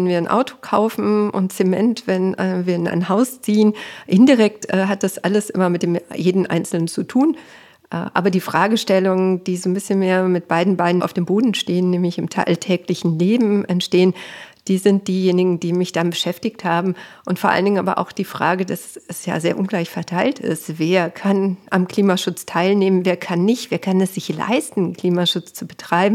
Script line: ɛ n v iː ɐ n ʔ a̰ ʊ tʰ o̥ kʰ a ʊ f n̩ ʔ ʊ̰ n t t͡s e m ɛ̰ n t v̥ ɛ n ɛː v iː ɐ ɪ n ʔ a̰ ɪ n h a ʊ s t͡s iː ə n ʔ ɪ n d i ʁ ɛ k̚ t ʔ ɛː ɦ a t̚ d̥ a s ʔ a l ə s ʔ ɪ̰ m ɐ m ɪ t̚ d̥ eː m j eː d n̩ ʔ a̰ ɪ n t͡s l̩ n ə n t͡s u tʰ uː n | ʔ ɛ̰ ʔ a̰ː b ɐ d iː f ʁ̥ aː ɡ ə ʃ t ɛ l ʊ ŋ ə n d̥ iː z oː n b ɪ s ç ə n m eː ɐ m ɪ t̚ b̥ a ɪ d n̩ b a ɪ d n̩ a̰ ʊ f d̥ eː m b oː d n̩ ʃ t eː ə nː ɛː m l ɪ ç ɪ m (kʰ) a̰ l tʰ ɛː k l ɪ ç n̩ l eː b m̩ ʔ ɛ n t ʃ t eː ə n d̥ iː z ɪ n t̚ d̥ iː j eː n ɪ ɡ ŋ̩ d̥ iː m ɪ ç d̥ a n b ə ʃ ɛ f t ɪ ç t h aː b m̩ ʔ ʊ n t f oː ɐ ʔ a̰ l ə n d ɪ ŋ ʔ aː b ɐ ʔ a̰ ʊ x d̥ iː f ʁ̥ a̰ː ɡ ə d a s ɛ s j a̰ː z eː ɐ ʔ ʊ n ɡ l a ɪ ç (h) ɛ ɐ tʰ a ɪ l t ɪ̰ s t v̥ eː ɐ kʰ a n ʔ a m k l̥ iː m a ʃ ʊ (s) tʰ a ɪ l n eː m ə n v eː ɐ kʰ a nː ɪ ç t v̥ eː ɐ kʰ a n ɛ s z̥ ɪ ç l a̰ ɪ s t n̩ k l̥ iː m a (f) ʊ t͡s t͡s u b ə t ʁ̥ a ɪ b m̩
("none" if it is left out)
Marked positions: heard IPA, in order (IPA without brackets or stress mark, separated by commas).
tʰ, f, t͡s, ʃ